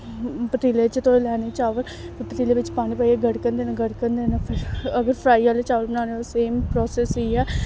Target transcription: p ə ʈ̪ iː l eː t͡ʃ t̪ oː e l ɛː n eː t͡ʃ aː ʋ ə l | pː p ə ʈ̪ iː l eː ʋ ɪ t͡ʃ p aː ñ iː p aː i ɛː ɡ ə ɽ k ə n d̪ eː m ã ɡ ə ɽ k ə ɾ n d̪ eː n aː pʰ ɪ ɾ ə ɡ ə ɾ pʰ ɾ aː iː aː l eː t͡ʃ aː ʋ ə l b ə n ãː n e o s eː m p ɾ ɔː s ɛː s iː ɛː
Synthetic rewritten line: p ə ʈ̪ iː l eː t͡ʃ t̪ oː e l ɛː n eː t͡ʃ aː ʋ ə l | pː p ə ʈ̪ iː l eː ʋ ɪ t͡ʃ p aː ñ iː p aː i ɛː ɡ ə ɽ k ə n d̪ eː n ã ɡ ə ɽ k ə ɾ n d̪ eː n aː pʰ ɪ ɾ ə ɡ ə ɾ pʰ ɾ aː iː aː l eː t͡ʃ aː ʋ ə l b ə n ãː n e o s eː m p ɾ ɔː s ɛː s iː ɛː